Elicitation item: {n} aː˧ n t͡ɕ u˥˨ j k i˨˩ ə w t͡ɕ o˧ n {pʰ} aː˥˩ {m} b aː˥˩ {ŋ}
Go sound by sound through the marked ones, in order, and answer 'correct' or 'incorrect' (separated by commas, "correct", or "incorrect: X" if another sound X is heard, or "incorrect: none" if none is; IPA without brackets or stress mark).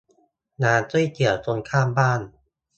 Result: correct, incorrect: kʰ, correct, incorrect: n